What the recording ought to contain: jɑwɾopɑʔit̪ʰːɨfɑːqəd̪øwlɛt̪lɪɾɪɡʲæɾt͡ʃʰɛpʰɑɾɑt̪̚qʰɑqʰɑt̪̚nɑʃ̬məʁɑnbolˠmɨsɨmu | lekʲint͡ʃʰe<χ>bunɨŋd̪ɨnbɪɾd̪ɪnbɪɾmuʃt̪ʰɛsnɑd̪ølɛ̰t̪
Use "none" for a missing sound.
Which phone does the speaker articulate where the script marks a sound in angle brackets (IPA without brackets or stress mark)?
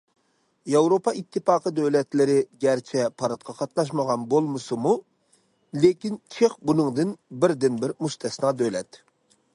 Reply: χ